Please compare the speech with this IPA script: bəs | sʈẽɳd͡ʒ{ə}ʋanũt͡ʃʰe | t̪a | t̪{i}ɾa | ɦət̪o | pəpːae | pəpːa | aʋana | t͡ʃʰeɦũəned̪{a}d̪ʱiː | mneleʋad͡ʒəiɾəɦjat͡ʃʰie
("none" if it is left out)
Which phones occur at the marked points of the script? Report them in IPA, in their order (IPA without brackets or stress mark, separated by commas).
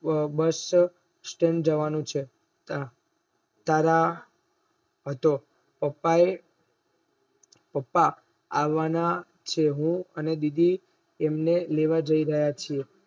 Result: ə, a, i